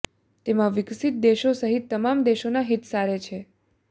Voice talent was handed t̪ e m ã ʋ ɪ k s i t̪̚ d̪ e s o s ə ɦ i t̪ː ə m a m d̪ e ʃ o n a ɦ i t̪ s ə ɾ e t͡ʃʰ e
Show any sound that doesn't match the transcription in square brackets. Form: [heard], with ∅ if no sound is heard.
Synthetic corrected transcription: t̪ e m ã ʋ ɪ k s i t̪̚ d̪ e [ʃ] o s ə ɦ i t̪ː ə m a m d̪ e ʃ o n a ɦ i t̪ s [a] ɾ e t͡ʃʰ e